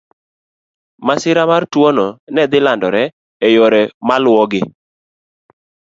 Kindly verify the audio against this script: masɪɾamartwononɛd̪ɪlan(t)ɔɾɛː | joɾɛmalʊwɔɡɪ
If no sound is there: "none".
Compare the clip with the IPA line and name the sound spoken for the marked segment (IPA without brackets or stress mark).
d